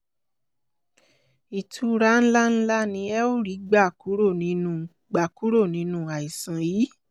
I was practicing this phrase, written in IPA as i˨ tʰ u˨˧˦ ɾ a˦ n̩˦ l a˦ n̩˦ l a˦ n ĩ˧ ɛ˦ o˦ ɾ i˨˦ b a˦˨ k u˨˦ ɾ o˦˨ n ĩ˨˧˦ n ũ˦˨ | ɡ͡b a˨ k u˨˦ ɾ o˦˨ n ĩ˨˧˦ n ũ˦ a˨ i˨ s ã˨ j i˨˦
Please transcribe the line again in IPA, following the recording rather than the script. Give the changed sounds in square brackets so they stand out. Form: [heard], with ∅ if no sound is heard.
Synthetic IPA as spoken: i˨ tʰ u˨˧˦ ɾ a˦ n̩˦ l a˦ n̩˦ l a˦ n ĩ˧ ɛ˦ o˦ ɾ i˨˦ [ɡ͡b] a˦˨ k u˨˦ ɾ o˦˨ n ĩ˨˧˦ n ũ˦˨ | ɡ͡b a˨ k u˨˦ ɾ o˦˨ n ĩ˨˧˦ n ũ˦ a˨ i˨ s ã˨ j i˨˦